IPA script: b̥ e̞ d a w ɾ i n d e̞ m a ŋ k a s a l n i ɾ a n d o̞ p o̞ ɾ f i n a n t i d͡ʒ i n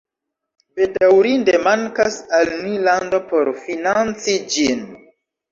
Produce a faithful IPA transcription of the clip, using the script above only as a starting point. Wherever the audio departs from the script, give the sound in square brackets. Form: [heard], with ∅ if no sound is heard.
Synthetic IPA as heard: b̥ e̞ d a w ɾ i n d e̞ m a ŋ k a s a l n i [l] a n d o̞ p o̞ ɾ f i n a n [t͡s] i d͡ʒ i n